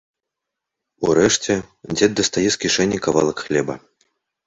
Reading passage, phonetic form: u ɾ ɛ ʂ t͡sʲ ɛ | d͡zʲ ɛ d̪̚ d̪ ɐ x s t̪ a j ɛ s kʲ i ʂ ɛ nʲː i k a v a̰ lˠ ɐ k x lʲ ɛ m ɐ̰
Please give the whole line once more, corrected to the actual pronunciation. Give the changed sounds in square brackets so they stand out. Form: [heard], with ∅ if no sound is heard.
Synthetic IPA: u ɾ ɛ ʂ t͡sʲ ɛ | d͡zʲ ɛ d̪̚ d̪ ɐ [∅] s t̪ a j ɛ s kʲ i ʂ ɛ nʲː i k a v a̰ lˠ ɐ k x lʲ ɛ [b] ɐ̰